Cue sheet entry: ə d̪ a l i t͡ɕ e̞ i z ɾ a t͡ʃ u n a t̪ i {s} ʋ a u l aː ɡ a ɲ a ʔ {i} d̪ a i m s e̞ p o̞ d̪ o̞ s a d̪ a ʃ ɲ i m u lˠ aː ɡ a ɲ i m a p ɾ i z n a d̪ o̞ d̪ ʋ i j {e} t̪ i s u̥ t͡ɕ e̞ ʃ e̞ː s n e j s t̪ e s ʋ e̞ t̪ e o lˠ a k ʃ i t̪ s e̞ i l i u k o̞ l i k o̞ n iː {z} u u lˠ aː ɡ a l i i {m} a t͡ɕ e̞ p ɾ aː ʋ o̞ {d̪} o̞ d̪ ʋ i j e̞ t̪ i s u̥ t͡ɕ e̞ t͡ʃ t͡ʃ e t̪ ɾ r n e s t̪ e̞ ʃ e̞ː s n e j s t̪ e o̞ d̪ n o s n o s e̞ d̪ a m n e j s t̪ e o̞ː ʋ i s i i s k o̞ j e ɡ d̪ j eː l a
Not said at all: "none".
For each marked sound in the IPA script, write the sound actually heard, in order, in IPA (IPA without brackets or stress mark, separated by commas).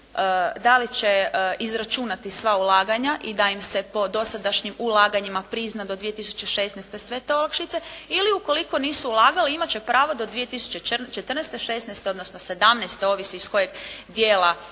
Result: s, i, e, s, m, d̪